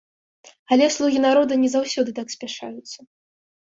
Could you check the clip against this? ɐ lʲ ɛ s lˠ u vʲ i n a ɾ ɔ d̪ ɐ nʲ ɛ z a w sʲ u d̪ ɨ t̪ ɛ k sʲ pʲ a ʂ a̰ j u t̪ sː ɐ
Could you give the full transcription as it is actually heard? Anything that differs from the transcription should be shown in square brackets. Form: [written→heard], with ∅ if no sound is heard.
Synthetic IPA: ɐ lʲ ɛ s lˠ u [vʲ→ɣʲ] i n a ɾ ɔ d̪ ɐ nʲ ɛ z a w sʲ [u→ɔ] d̪ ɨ t̪ [ɛ→a] k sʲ pʲ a ʂ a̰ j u t̪ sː ɐ